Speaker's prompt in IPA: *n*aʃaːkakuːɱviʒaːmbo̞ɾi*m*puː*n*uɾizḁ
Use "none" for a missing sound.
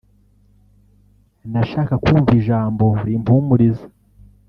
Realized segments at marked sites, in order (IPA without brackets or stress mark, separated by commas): n, m, m